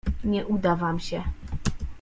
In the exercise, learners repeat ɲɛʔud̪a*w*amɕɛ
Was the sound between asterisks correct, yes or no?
no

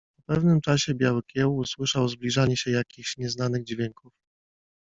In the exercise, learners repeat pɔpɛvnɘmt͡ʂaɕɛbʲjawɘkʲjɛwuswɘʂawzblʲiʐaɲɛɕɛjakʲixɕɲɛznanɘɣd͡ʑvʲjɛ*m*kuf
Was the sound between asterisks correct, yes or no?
no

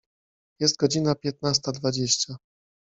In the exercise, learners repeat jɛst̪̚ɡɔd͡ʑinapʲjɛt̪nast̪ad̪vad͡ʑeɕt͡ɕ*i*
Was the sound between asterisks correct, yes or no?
no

